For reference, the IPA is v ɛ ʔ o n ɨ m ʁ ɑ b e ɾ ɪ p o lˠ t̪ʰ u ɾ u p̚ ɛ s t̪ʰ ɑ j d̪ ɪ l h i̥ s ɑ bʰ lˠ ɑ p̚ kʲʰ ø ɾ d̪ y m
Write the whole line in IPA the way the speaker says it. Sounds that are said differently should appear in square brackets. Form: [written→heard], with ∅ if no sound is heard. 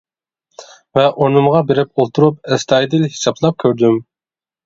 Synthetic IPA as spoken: v ɛ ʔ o n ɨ m ʁ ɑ b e ɾ ɪ p o lˠ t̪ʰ u ɾ u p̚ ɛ s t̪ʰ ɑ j d̪ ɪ l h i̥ s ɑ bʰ lˠ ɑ p̚ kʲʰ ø ɾ d̪ y m